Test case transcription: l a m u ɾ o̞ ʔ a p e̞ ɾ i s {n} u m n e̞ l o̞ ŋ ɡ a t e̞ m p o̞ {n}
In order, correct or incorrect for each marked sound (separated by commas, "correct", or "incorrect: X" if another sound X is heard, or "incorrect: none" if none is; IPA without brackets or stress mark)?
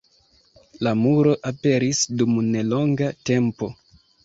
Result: incorrect: d, incorrect: none